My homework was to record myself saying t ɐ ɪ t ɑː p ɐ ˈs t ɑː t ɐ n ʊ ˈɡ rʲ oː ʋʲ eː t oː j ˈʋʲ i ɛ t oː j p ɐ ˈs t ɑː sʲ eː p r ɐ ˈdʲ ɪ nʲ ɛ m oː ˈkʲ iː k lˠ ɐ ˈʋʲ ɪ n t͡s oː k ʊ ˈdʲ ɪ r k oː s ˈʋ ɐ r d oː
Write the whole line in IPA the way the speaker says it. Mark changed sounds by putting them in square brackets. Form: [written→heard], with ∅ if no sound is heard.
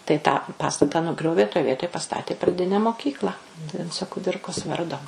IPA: t ɐ ɪ t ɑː p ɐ ˈs t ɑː t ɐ n ʊ ˈɡ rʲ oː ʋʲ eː t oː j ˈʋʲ i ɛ t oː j p ɐ ˈs t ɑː [sʲ→tʲ] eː p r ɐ ˈdʲ ɪ nʲ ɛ m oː ˈkʲ iː k lˠ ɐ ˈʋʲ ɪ n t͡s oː k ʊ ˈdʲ ɪ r k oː s ˈʋ ɐ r d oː